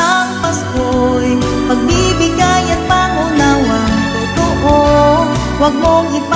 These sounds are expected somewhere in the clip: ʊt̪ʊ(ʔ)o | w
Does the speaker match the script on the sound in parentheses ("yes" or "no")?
yes